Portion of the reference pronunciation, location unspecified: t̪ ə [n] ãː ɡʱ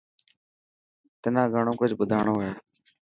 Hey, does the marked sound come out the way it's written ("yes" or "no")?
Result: yes